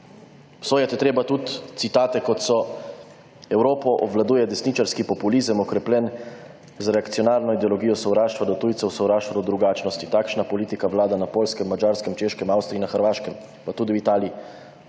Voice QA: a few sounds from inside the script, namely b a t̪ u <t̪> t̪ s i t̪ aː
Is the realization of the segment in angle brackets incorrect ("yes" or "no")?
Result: no